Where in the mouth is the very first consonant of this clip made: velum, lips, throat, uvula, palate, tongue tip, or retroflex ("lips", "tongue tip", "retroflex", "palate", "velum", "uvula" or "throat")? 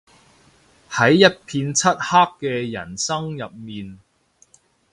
throat